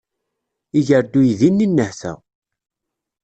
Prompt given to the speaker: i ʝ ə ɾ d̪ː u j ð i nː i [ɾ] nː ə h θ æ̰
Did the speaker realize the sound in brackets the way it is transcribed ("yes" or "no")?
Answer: no